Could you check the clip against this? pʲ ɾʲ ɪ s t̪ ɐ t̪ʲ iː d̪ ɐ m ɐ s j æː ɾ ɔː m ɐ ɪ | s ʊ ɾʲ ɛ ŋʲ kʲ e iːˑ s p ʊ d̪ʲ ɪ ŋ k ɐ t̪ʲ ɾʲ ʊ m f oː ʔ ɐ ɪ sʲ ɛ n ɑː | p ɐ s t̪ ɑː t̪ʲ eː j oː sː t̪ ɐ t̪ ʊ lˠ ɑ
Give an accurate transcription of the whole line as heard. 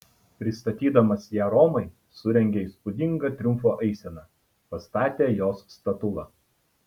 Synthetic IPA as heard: pʲ ɾʲ ɪ s t̪ ɐ t̪ʲ iː d̪ ɐ m ɐ s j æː ɾ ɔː m ɐ ɪ | s ʊ ɾʲ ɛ ŋʲ ɡʲ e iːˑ s p ʊ d̪ʲ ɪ ŋ ɡ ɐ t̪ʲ ɾʲ ʊ m f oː ʔ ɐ ɪ sʲ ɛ n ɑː | p ɐ s t̪ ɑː t̪ʲ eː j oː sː t̪ ɐ t̪ ʊ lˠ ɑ